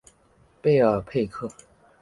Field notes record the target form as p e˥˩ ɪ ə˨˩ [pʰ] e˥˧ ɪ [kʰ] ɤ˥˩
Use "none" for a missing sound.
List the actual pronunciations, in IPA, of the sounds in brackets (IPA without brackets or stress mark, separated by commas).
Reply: pʰ, kʰ